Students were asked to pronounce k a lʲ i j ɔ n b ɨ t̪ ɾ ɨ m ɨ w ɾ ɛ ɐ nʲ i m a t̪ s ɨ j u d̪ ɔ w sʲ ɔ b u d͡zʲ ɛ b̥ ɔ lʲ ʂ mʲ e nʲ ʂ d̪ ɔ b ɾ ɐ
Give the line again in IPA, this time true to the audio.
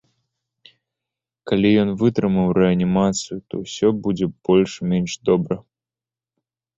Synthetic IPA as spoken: k a lʲ i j ɔ n v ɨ t̪ ɾ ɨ m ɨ w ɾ ɛ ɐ nʲ i m a t̪ s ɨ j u t̪ ɔ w sʲ ɔ b u d͡zʲ ɛ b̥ ɔ lʲ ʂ mʲ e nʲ ʂ d̪ ɔ b ɾ ɐ